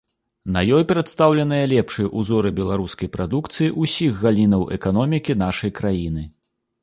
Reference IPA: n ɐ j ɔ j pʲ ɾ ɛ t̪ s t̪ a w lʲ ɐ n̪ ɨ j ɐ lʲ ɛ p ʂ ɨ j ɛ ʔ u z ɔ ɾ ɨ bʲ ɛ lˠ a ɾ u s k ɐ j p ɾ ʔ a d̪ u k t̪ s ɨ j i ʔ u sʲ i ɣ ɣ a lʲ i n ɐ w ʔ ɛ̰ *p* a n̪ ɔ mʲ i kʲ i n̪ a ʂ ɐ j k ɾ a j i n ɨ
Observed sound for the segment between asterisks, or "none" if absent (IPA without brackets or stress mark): k